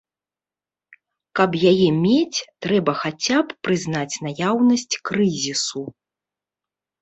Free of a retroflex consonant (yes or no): yes